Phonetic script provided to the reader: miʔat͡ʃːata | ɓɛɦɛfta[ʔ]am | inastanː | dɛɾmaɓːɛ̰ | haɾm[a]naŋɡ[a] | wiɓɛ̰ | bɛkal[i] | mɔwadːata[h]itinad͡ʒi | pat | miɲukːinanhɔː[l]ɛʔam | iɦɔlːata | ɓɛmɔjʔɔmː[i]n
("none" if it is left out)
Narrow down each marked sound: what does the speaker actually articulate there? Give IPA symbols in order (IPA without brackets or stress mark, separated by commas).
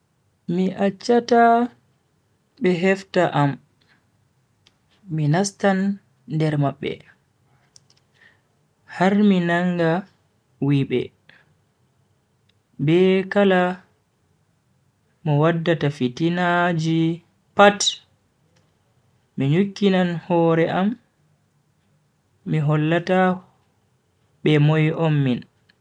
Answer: ʔ, i, a, a, f, ɾ, i